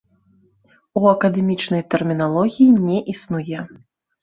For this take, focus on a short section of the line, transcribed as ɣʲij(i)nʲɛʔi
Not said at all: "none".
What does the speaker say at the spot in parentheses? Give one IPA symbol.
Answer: i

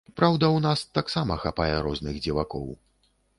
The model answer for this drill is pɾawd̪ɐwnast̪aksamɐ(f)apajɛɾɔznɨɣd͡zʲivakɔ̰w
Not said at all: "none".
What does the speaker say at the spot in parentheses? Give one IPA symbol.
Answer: x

